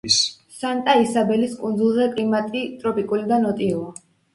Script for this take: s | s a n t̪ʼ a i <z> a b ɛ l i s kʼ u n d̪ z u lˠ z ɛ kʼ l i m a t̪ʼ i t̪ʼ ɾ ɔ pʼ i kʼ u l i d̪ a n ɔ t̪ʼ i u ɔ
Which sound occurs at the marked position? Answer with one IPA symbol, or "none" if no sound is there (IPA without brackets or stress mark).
s